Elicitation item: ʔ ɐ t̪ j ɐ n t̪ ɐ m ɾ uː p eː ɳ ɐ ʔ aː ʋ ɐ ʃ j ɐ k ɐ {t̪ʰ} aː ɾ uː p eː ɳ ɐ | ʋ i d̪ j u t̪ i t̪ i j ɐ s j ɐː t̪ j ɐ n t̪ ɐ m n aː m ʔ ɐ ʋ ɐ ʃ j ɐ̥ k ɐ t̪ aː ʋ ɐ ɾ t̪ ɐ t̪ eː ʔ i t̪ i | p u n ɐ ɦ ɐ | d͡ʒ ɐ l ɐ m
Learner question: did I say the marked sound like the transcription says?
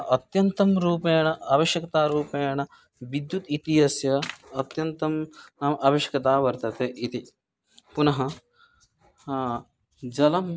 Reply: no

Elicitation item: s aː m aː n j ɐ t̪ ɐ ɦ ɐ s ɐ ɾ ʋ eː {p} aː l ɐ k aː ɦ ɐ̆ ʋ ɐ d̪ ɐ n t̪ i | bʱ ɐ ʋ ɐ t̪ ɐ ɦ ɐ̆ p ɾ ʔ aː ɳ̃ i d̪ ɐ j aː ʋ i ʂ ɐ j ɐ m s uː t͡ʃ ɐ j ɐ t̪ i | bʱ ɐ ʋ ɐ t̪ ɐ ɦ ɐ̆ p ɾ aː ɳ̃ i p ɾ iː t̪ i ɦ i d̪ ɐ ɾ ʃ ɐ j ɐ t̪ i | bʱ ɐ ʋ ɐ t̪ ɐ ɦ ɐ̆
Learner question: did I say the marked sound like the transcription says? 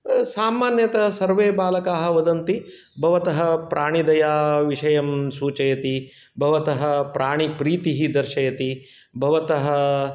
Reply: no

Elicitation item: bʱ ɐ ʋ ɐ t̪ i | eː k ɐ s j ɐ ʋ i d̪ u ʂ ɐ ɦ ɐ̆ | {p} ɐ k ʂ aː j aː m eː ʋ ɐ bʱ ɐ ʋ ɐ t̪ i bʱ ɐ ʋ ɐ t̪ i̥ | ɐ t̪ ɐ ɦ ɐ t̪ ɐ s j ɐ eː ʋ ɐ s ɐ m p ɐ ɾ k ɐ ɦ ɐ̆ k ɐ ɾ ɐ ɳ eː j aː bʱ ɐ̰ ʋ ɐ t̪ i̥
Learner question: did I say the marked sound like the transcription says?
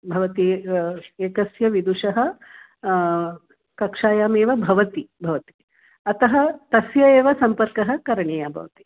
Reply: no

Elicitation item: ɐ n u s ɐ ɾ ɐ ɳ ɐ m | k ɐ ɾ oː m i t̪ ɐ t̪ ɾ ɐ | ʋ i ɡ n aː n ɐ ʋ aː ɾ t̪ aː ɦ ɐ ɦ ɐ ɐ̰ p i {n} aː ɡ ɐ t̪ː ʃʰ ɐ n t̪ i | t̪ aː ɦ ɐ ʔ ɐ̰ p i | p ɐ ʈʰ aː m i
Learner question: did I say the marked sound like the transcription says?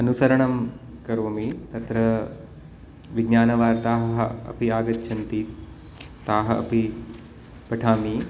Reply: no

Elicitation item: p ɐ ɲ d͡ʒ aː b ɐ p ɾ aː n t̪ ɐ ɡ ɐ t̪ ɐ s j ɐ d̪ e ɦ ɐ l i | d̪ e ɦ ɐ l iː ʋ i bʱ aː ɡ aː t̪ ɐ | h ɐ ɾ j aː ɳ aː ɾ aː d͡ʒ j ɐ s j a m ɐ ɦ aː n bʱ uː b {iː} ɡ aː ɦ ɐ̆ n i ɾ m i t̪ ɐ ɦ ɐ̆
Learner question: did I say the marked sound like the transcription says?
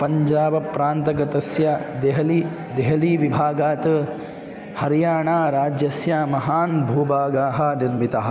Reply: no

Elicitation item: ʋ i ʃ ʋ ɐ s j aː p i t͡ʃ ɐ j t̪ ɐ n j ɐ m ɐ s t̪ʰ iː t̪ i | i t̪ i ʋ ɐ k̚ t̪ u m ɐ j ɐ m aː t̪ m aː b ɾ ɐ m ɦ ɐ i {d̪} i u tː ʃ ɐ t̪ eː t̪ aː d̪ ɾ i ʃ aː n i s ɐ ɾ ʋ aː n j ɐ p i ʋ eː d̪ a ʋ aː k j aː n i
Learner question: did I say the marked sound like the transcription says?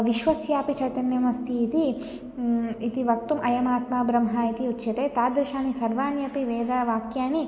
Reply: no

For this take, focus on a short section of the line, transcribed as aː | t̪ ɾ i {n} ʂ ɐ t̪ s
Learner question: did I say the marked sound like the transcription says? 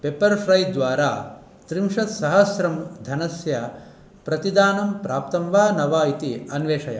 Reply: no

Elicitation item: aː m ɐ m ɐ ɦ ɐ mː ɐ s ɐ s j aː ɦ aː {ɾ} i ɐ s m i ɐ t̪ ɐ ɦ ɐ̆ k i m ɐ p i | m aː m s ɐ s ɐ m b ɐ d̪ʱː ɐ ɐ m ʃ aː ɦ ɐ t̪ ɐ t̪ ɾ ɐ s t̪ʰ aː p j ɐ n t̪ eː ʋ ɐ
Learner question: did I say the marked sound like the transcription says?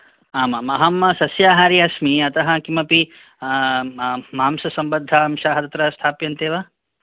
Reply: yes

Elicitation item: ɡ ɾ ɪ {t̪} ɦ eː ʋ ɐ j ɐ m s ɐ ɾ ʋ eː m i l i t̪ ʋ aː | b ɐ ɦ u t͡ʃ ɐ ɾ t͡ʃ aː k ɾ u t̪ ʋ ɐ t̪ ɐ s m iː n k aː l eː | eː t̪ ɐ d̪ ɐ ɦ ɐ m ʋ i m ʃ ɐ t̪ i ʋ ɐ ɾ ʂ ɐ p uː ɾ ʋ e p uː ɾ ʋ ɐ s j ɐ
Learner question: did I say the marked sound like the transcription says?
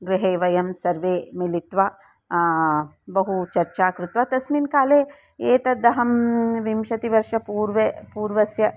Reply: no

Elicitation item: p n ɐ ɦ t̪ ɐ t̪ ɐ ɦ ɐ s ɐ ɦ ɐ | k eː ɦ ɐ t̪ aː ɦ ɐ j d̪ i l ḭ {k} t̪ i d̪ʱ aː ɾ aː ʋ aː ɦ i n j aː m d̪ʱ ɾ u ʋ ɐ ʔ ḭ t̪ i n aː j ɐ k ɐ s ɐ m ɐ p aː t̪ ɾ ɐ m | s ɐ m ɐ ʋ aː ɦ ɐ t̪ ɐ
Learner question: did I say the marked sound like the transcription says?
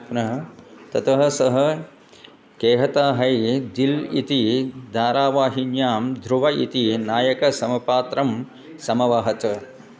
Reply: no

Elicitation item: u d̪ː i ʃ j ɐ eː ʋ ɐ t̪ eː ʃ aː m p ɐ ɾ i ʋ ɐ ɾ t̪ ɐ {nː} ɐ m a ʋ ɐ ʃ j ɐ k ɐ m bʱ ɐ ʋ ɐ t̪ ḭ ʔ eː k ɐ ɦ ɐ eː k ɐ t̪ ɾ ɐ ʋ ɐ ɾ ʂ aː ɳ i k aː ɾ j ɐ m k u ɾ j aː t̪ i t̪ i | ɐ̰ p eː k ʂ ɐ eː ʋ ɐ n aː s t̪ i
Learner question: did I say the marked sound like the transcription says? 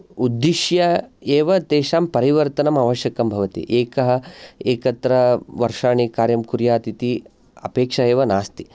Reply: no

